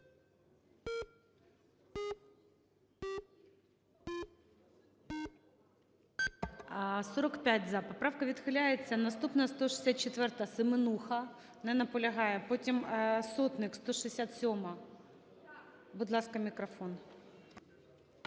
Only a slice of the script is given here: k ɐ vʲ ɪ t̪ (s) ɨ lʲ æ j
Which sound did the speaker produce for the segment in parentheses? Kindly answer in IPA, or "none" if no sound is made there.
x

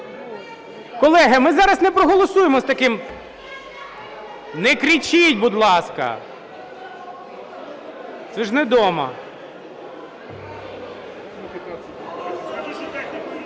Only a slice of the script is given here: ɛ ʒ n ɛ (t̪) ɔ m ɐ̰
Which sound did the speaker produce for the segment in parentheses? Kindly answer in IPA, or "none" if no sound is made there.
d̪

